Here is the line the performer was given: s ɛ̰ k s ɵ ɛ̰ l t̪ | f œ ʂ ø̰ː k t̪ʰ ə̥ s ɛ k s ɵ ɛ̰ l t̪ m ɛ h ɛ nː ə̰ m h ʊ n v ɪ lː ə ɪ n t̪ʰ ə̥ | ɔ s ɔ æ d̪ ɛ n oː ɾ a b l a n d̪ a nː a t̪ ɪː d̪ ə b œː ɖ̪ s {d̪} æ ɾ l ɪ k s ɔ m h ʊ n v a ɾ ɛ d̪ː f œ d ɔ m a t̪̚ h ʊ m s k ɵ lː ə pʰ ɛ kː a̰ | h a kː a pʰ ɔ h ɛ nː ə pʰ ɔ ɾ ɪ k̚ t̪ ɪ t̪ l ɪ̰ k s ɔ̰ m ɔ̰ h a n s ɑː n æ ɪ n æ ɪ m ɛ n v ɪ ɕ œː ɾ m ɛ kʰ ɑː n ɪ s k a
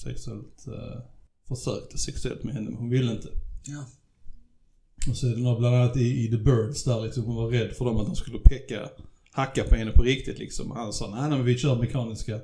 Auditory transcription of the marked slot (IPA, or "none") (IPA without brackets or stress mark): d̪